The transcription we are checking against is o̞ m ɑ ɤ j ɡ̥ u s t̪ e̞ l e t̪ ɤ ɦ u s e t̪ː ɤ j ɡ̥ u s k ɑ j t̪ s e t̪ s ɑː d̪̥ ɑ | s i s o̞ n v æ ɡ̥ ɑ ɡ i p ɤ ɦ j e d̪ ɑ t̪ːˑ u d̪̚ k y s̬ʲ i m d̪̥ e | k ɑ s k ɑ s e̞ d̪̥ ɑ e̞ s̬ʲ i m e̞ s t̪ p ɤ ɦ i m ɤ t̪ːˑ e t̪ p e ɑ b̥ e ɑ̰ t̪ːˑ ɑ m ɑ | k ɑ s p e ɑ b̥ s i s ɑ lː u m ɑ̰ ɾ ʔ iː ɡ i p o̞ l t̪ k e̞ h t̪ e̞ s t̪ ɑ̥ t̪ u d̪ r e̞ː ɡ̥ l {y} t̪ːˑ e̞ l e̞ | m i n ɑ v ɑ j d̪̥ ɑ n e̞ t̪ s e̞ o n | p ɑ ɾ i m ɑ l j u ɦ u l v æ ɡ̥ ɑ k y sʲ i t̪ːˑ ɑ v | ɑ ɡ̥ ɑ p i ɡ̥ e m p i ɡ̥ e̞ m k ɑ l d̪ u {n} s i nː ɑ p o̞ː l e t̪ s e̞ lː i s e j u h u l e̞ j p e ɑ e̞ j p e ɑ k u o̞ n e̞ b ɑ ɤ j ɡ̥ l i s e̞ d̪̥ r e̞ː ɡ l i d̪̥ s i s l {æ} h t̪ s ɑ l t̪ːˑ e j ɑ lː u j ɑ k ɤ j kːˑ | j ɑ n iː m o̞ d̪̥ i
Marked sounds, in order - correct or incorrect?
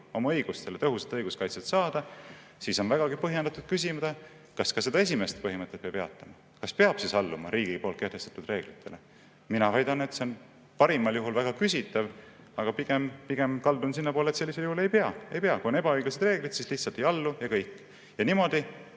incorrect: i, correct, incorrect: i

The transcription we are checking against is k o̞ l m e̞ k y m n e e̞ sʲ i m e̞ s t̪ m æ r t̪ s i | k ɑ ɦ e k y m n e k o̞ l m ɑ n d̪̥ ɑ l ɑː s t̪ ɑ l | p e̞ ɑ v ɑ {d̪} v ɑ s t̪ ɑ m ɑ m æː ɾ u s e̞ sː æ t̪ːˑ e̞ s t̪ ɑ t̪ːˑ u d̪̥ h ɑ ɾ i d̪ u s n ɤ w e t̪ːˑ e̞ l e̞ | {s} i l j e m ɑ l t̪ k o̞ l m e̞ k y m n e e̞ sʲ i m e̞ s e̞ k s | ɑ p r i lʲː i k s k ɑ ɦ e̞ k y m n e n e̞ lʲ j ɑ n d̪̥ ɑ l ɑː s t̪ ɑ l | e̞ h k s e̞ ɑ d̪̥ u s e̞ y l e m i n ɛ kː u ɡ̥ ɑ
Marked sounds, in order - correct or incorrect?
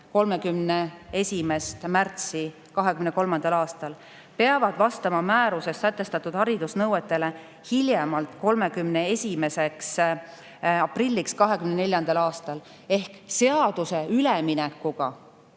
correct, incorrect: h

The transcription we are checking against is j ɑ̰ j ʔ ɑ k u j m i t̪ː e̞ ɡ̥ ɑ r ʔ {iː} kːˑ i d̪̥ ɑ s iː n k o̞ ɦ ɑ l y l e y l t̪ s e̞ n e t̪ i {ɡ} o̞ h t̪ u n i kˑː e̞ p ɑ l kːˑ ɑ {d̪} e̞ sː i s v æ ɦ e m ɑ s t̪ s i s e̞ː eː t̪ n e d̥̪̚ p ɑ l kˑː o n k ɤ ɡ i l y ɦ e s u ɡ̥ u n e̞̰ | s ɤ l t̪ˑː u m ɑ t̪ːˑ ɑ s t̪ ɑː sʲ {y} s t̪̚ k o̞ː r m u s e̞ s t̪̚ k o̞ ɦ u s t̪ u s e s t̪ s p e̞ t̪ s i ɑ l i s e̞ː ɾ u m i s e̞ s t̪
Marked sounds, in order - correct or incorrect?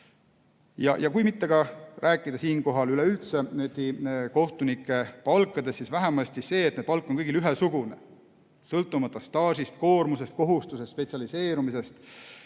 incorrect: æː, incorrect: k, correct, incorrect: i

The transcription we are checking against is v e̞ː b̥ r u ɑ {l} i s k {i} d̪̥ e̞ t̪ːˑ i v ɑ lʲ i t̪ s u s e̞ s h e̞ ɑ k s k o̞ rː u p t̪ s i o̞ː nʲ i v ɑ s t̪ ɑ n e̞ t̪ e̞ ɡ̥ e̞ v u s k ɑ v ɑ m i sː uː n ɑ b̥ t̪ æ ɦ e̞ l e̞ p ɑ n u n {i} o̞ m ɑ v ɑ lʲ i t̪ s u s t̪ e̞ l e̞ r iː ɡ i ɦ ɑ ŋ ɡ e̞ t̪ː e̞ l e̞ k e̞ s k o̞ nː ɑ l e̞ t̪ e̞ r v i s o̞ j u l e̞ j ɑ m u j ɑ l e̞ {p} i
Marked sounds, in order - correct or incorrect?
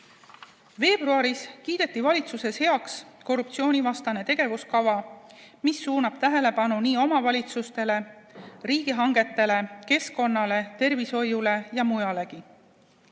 incorrect: ɾ, incorrect: iː, incorrect: iː, incorrect: k

